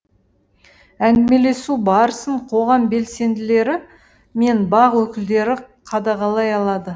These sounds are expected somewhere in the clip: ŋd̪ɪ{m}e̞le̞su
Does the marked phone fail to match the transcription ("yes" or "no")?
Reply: no